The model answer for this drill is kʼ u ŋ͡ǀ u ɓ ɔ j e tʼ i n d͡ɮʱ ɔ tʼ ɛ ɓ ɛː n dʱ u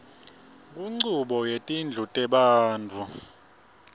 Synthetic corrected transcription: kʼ u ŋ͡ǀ u ɓ ɔ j e tʼ i n d͡ɮʱ u tʼ ɛ ɓ aː n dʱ u